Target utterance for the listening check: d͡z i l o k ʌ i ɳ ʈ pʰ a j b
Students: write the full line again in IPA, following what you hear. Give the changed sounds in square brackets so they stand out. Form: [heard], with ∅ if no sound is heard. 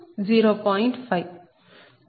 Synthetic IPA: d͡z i [ɾ] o [p] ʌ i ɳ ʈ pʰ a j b